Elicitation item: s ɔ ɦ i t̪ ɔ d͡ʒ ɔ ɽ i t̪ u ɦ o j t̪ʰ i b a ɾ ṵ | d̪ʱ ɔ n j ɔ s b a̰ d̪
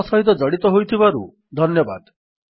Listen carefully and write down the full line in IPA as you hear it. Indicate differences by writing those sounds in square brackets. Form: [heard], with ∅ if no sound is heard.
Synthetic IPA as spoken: s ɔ ɦ i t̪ ɔ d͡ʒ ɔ ɽ i t̪ [ɔ] ɦ o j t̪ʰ i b a ɾ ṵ | d̪ʱ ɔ n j ɔ [∅] b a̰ d̪